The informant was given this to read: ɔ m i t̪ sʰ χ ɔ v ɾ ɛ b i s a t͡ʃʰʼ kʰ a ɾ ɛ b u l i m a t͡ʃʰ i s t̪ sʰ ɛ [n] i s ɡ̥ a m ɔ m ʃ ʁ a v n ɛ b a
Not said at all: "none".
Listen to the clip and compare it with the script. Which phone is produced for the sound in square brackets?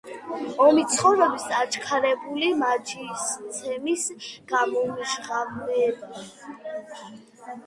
m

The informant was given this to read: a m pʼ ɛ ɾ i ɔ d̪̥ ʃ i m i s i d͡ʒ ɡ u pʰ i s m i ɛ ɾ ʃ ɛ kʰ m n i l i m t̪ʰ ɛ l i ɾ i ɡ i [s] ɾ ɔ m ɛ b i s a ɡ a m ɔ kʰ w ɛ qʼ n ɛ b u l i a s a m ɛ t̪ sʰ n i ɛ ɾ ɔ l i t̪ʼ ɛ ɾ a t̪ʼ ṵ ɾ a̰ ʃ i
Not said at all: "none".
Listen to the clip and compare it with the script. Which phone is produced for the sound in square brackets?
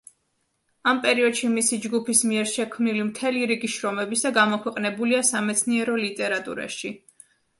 ʃ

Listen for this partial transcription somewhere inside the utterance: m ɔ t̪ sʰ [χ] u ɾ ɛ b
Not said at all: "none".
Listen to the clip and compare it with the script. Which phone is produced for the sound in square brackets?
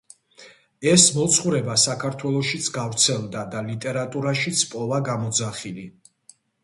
χ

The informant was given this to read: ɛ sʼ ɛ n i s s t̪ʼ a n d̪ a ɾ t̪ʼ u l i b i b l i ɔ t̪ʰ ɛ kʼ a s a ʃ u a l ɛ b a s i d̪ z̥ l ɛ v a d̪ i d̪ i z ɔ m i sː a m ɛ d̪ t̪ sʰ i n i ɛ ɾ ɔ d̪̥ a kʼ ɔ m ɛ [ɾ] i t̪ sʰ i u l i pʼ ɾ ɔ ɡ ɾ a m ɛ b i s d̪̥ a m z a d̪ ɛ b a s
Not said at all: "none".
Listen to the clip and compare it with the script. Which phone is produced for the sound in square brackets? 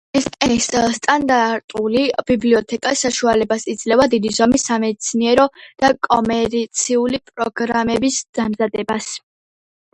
ɾ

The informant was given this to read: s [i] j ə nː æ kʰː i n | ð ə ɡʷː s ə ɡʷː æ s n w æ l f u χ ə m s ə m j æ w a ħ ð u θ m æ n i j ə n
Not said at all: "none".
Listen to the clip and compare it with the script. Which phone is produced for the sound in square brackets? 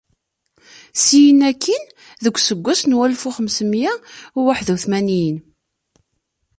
i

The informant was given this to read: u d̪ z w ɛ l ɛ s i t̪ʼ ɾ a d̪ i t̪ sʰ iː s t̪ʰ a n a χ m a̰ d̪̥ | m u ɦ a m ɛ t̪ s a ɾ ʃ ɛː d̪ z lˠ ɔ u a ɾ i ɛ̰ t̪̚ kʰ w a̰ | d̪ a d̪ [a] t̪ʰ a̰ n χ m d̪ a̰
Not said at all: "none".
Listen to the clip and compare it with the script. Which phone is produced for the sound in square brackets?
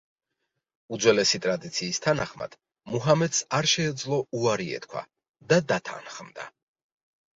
a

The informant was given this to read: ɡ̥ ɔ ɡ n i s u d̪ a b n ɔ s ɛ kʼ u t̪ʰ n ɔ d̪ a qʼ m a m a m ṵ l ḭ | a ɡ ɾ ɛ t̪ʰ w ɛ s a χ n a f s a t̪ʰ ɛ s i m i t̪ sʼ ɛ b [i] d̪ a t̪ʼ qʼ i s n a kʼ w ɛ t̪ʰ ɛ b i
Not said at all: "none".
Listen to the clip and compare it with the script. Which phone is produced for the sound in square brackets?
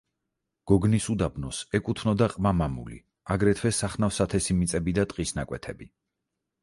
i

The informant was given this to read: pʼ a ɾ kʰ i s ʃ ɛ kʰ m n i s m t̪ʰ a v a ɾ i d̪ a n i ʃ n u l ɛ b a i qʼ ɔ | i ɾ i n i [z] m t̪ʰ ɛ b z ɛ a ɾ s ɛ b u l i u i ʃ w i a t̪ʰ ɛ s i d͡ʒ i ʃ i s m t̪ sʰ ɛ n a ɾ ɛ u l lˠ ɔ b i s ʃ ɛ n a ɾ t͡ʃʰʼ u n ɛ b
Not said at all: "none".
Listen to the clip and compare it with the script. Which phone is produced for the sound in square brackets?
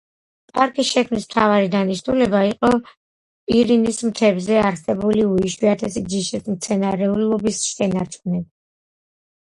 s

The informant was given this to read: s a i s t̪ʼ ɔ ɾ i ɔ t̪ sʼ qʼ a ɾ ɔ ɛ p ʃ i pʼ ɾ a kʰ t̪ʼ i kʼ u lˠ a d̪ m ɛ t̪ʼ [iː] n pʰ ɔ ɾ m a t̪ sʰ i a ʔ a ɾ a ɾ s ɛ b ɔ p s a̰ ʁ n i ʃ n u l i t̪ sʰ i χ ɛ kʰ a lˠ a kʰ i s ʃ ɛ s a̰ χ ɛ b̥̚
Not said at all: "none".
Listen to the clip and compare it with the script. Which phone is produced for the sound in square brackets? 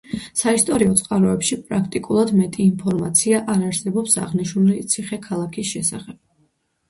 iː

